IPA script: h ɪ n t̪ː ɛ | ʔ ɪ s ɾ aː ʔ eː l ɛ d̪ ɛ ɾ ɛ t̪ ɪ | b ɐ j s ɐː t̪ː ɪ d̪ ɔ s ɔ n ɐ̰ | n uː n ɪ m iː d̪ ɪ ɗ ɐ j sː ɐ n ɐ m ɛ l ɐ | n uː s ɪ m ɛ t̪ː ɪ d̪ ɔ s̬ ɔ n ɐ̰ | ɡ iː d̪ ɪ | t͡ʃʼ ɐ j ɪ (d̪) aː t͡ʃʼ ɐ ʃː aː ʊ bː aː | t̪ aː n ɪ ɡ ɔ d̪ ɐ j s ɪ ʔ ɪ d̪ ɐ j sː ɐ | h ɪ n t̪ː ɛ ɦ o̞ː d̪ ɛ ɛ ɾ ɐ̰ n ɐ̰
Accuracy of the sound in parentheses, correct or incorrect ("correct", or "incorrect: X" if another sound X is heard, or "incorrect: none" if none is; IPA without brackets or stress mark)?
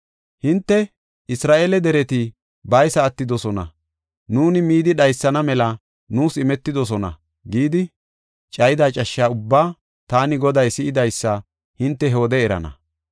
correct